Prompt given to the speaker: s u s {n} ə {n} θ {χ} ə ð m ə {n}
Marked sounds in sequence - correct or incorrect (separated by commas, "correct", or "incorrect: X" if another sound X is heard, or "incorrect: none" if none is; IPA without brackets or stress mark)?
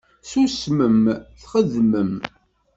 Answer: incorrect: m, incorrect: m, correct, incorrect: m